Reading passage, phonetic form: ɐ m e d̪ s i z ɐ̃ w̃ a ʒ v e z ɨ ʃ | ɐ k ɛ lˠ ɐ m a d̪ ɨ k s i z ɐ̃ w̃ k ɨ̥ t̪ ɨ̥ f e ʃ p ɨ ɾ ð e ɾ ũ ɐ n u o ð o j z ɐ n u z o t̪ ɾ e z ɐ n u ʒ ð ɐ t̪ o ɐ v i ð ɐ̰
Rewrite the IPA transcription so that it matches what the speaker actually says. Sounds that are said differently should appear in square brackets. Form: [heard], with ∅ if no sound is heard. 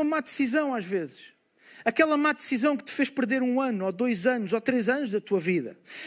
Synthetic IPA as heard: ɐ m [a] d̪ s i z ɐ̃ w̃ a ʒ v e z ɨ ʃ | ɐ k ɛ lˠ ɐ m a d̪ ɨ [∅] s i z ɐ̃ w̃ k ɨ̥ t̪ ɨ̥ f e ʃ p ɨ ɾ ð e ɾ ũ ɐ n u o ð o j z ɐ n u z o t̪ ɾ e z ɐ n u ʒ ð ɐ t̪ [u] ɐ v i ð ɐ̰